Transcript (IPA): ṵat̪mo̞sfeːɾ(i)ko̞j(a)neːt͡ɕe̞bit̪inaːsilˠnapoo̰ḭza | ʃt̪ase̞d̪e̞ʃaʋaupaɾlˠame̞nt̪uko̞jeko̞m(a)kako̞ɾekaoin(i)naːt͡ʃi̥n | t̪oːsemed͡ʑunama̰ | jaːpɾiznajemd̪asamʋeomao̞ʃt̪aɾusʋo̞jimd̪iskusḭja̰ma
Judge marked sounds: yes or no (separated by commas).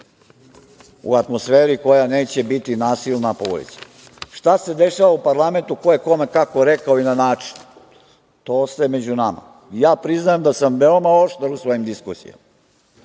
yes, yes, no, no